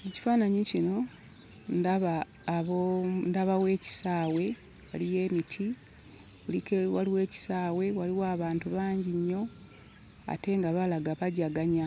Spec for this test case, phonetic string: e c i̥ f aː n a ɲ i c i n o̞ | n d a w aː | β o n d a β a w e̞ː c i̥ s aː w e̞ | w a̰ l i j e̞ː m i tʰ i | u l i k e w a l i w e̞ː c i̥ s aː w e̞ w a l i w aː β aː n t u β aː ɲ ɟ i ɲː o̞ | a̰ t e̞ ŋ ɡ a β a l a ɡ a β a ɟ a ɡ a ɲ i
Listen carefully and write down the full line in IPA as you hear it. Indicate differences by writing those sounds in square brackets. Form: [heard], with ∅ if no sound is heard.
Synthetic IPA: e c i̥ f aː n a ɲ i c i n o̞ | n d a [β] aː | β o n d a β a w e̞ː c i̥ s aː w e̞ | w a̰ l i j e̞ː m i tʰ i | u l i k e w a l i w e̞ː c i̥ s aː w e̞ w a l i w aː β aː n t u β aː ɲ ɟ i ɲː o̞ | a̰ t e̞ ŋ ɡ a β a l a ɡ a β a ɟ a ɡ a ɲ [a]